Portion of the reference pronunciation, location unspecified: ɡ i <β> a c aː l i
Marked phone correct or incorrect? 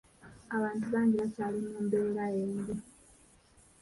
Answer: correct